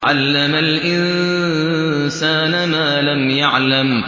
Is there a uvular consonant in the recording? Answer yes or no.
no